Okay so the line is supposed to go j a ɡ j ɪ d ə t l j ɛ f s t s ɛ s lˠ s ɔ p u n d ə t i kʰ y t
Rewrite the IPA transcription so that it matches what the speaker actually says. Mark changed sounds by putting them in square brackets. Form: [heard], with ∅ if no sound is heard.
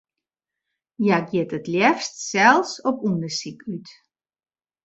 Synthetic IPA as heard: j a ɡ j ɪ [t] ə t l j ɛ f s t s ɛ [∅] lˠ s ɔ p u n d ə [s] i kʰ y t